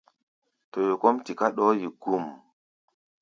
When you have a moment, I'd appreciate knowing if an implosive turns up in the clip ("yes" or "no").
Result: yes